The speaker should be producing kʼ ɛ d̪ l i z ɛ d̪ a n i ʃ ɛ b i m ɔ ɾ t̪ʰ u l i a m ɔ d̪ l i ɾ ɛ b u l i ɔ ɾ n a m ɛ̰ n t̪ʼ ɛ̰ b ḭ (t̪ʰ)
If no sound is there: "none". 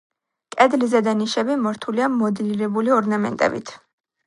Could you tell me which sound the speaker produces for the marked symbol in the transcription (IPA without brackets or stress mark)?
t̪ʰ